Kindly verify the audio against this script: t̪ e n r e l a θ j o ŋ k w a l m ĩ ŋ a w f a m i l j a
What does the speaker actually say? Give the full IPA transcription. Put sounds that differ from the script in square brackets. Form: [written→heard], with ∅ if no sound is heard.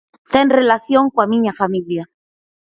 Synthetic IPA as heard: t̪ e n r e l a θ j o ŋ k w a [l→∅] m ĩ [ŋ→ɲ] a [w→∅] f a m i l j a